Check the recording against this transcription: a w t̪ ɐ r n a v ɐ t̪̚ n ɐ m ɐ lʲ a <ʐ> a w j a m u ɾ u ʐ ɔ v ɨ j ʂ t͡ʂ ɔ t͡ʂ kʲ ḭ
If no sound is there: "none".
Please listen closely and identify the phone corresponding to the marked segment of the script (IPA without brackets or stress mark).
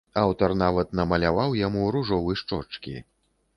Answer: v